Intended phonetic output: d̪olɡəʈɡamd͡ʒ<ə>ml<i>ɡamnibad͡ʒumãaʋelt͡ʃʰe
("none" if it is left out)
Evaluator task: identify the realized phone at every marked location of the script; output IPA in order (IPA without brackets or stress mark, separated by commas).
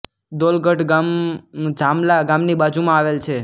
a, a